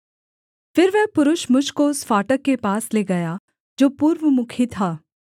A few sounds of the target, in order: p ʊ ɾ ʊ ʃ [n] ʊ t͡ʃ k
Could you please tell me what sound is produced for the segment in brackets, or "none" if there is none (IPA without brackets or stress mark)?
m